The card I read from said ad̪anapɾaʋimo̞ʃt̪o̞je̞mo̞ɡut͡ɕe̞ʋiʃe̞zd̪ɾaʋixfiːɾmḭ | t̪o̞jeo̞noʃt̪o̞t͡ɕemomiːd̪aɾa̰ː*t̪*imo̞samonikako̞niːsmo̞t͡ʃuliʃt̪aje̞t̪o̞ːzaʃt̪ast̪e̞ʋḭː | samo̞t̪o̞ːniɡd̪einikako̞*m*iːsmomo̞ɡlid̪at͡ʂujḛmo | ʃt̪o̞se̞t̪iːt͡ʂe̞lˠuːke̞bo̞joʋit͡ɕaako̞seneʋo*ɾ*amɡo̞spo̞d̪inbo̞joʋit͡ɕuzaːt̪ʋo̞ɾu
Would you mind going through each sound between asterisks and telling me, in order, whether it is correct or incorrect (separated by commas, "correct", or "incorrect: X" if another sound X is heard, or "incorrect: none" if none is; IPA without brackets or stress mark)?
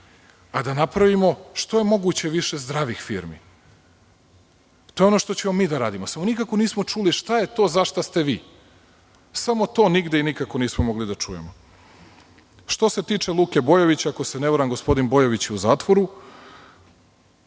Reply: incorrect: d̪, incorrect: n, correct